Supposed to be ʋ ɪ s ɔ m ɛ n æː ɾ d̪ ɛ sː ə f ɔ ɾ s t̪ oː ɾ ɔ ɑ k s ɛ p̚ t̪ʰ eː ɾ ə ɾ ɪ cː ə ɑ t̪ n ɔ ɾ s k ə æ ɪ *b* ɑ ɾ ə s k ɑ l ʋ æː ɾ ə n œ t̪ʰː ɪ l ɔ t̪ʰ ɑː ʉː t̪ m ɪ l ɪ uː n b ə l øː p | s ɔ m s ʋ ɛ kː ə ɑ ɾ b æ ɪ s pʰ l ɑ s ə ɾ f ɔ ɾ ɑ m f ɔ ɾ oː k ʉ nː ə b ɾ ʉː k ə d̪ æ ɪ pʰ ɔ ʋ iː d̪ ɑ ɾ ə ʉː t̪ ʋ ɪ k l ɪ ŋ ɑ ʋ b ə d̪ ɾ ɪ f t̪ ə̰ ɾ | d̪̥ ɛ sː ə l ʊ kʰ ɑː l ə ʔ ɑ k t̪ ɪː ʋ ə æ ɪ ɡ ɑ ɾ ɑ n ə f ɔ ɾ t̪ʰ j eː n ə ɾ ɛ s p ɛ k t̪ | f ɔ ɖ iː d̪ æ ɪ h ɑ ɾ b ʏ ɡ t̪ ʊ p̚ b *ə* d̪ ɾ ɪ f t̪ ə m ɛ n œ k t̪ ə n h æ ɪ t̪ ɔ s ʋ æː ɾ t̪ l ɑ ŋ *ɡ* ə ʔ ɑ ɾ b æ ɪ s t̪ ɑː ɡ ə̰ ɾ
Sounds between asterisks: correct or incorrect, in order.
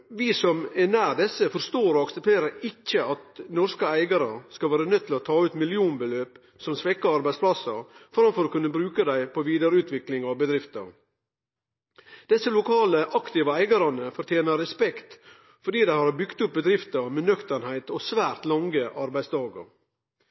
incorrect: ɡ, correct, correct

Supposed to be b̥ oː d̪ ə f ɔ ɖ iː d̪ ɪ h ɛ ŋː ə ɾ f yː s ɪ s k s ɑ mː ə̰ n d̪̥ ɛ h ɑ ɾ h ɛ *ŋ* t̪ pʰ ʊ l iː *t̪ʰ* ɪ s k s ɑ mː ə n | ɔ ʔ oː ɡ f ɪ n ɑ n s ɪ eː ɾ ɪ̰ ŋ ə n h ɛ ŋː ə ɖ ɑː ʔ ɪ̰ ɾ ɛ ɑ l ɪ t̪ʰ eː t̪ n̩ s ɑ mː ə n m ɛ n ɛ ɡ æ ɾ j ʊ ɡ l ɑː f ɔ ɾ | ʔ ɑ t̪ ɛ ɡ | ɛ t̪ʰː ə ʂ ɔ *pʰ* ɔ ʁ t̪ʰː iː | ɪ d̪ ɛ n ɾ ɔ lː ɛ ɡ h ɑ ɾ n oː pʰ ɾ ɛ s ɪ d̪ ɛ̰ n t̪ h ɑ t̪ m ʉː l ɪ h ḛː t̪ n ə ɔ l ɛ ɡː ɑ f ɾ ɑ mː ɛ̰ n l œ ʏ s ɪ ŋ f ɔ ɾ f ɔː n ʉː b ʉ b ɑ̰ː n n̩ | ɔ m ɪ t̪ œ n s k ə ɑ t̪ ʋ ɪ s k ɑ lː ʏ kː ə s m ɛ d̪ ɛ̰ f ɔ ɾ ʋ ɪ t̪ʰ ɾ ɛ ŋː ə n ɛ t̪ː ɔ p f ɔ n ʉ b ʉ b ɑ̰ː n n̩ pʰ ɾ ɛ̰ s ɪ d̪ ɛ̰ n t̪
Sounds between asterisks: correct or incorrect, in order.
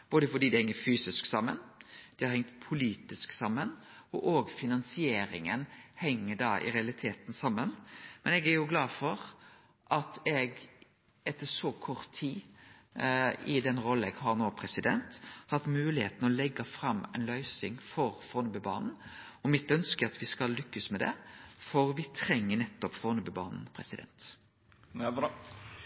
correct, incorrect: t̪, incorrect: kʰ

